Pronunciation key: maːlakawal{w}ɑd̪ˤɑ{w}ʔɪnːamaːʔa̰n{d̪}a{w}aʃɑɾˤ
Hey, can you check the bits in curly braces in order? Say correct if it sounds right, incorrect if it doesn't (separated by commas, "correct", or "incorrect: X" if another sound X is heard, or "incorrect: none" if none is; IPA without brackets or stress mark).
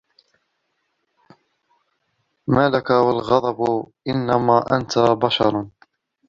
incorrect: ɣ, incorrect: b, incorrect: t̪, incorrect: b